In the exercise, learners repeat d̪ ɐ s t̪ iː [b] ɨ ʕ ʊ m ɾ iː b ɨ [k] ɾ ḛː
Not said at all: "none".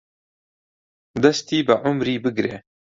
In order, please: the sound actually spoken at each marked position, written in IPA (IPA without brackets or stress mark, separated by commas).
b, ɡ